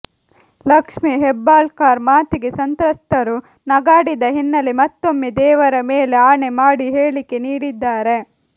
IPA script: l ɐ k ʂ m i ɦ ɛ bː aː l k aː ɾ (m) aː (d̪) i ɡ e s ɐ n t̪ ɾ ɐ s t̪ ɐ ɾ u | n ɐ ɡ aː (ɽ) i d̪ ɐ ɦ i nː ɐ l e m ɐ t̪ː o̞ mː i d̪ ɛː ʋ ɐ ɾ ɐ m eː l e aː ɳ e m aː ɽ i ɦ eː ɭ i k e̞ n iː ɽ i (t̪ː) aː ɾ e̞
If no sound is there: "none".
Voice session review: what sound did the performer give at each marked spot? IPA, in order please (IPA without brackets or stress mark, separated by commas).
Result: m, t̪, ɽ, d̪ː